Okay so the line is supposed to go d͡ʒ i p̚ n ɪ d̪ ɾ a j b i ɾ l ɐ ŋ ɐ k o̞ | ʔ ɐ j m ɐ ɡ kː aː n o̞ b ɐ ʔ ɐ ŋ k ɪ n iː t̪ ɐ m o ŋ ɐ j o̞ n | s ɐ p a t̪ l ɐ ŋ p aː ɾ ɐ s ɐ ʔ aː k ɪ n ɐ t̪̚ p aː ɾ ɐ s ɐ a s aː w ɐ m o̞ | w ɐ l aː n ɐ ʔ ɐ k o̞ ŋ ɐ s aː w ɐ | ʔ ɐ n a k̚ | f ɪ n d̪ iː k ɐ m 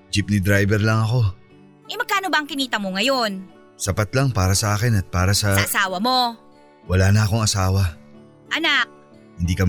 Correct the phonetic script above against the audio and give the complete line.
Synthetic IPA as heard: d͡ʒ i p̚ n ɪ d̪ ɾ a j b ɛ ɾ l ɐ ŋ ɐ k o̞ | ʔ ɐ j m ɐ ɡ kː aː n o̞ b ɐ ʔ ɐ ŋ k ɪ n iː t̪ ɐ m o ŋ ɐ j o̞ n | s ɐ p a t̪ l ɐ ŋ p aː ɾ ɐ s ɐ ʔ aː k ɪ n ɐ t̪̚ p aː ɾ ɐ s ɐ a s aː w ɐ m o̞ | w ɐ l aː n ɐ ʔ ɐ k o̞ ŋ ɐ s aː w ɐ | ʔ ɐ n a k̚ | h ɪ n d̪ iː k ɐ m